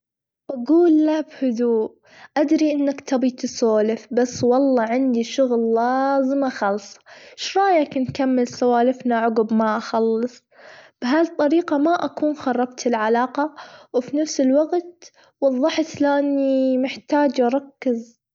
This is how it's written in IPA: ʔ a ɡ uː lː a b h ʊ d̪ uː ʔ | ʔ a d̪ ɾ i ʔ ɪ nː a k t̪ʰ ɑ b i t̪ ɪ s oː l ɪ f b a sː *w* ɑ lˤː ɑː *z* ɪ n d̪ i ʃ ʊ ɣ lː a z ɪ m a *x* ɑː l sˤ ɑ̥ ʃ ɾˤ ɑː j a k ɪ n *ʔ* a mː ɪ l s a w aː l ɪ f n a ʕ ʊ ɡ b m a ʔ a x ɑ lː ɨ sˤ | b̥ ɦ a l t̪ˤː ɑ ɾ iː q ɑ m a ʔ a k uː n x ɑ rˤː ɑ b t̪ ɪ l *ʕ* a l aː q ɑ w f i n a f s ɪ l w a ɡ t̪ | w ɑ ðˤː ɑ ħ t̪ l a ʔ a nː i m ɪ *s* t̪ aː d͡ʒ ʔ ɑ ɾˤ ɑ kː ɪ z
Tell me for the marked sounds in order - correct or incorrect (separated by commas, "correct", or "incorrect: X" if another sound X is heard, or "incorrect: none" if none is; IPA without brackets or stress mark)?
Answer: correct, incorrect: ʕ, correct, incorrect: k, correct, incorrect: ħ